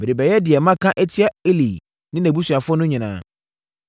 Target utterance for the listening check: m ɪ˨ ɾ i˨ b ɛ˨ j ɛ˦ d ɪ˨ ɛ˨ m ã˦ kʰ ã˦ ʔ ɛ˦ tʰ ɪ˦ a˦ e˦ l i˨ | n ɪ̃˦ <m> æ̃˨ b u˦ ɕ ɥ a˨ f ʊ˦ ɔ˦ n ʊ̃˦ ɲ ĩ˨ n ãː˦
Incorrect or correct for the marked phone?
incorrect: n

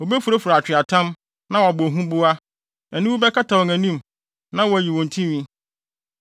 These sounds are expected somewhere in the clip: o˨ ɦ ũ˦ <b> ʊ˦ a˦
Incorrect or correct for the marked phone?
correct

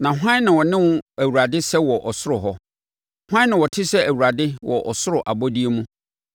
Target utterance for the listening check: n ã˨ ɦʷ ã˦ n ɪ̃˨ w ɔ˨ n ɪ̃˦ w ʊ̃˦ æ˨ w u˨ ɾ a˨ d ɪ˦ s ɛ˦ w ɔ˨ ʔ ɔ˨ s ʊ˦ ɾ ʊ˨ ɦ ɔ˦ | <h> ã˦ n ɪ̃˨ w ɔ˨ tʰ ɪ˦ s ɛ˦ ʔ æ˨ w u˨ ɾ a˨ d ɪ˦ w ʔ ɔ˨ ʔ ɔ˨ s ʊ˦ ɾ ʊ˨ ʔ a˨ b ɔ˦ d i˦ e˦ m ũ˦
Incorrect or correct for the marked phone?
correct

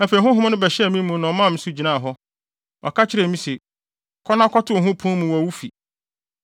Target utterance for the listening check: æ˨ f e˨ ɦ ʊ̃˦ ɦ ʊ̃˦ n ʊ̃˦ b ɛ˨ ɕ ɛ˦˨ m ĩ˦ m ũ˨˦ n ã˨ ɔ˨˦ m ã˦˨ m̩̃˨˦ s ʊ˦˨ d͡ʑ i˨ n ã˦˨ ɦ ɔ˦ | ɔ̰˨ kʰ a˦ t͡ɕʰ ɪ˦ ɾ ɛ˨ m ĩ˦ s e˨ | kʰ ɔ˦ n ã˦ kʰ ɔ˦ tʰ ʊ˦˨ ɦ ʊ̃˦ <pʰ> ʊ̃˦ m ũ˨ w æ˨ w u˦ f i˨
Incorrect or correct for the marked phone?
correct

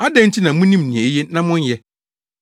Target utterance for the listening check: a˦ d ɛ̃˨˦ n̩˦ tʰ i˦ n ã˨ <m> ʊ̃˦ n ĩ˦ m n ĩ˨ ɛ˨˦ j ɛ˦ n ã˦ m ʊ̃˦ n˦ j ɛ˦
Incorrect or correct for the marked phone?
correct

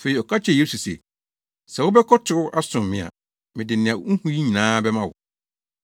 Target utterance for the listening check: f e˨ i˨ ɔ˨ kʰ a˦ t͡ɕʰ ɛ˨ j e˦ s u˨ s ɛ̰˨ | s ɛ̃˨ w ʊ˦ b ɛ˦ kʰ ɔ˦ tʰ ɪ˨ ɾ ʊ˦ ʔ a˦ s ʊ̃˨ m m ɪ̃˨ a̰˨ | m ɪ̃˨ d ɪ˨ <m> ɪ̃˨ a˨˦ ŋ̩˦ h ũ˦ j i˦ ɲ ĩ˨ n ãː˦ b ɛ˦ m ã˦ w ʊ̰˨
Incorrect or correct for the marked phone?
incorrect: n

